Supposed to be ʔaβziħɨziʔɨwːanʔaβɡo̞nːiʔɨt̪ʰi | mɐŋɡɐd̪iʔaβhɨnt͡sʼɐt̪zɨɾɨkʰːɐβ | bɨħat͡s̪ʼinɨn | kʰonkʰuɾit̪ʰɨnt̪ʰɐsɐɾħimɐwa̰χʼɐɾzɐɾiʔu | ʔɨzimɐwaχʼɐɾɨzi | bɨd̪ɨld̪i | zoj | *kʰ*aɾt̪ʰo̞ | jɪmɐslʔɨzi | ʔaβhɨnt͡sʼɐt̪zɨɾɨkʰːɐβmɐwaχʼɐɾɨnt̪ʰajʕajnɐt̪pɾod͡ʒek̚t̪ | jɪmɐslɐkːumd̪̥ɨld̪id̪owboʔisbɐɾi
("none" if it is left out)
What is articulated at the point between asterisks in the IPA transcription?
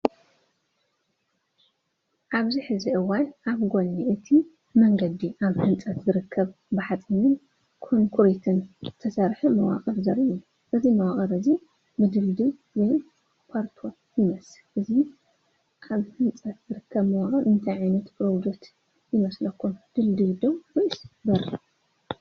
pʰ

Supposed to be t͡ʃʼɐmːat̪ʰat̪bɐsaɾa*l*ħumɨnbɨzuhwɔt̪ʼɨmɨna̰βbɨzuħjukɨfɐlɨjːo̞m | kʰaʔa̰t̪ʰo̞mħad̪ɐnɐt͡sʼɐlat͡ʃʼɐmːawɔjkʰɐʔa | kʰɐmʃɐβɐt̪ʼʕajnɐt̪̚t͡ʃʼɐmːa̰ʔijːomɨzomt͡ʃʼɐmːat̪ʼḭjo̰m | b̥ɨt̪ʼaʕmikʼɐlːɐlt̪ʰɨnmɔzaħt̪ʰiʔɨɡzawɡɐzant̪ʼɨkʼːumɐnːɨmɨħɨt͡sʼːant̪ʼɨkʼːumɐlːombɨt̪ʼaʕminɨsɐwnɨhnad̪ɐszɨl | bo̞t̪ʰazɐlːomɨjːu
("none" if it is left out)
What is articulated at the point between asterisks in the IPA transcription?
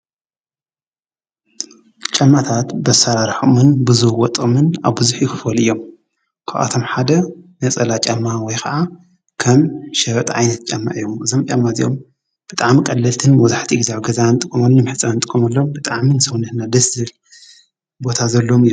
ɾ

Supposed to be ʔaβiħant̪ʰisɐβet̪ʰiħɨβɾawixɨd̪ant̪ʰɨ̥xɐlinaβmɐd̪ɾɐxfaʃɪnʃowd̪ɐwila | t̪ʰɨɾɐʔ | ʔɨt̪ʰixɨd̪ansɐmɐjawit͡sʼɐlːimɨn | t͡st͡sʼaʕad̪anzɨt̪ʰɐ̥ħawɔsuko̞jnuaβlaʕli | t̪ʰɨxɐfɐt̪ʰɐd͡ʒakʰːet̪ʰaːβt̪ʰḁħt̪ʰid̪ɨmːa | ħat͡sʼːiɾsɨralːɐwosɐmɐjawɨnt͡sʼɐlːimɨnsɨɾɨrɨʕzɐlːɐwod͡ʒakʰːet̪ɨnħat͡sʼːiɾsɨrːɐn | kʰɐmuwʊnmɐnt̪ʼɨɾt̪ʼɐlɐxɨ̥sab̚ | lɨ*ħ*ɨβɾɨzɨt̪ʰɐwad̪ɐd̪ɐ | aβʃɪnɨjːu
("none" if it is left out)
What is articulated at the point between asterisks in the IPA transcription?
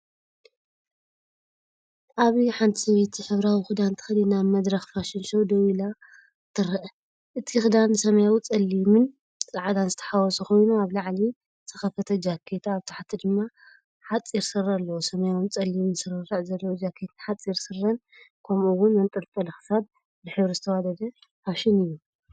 ħ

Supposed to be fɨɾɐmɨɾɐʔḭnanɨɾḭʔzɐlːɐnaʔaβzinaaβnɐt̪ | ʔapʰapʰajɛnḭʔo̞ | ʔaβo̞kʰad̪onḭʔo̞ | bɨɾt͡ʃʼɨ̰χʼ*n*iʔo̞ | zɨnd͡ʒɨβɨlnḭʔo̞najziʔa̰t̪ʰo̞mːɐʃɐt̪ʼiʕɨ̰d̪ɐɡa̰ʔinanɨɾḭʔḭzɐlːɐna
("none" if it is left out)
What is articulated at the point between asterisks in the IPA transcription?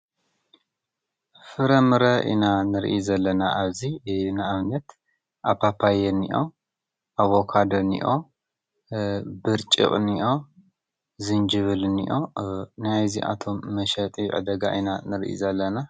n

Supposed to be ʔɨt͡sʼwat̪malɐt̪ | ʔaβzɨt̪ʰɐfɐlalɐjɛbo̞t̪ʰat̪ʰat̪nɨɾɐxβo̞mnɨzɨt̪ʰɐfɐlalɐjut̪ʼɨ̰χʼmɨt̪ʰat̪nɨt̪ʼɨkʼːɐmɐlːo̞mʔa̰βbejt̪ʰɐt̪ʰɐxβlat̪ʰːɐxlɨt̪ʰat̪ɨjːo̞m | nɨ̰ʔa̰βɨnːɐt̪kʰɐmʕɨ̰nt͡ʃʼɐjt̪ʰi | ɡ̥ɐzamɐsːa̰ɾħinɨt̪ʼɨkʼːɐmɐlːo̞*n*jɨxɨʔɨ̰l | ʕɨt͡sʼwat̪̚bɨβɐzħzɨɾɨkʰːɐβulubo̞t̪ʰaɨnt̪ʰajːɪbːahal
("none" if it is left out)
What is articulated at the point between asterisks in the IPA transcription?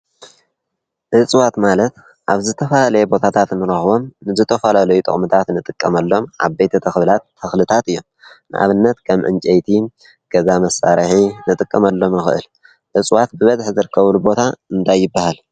m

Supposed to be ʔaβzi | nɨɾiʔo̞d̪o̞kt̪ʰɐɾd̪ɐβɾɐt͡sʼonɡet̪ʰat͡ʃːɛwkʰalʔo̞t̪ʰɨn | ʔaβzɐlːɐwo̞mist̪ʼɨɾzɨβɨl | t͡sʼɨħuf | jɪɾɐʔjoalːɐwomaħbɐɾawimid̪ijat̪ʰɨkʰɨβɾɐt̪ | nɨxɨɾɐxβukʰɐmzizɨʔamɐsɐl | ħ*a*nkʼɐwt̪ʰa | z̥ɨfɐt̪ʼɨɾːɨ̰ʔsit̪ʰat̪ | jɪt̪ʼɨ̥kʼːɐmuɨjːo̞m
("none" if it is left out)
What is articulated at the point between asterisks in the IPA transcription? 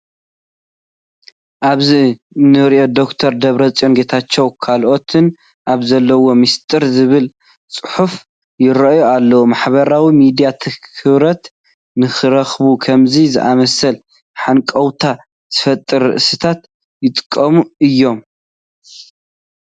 a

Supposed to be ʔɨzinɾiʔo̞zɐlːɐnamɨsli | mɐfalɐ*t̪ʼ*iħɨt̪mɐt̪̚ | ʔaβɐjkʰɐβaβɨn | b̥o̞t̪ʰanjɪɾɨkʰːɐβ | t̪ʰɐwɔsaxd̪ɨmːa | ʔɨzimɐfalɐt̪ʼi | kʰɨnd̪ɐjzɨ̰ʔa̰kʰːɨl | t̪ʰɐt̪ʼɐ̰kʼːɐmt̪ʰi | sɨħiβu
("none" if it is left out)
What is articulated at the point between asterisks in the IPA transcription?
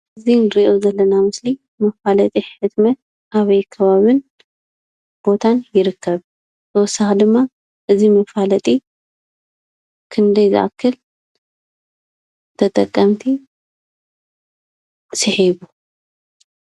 t̪ʼ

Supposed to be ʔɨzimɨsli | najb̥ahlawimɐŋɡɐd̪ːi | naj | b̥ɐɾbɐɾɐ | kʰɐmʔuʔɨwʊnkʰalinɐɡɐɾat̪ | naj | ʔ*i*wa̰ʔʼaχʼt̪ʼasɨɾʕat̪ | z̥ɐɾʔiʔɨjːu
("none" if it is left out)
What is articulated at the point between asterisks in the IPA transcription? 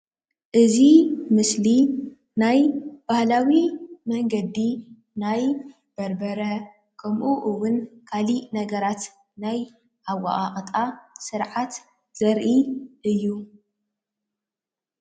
a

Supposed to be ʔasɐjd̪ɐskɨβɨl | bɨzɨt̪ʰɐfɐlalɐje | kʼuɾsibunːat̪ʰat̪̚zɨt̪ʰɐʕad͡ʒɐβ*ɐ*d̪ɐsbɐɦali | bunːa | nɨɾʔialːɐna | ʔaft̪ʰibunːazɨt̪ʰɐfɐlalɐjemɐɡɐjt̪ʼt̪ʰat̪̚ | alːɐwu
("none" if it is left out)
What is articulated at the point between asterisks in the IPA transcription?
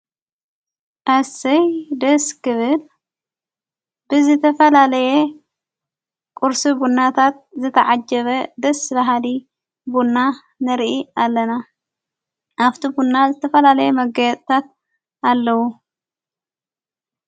ɐ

